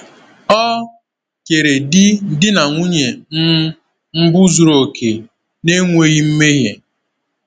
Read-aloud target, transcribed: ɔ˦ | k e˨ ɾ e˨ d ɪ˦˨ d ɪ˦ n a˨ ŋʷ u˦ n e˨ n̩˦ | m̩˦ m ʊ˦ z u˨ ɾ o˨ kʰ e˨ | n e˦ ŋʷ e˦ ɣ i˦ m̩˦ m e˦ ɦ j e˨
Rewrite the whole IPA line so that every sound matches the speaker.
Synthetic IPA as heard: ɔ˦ | k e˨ ɾ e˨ d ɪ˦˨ d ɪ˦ n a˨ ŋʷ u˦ ɲ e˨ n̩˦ | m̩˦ b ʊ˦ z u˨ ɾ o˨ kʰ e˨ | n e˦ ŋʷ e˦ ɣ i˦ m̩˦ m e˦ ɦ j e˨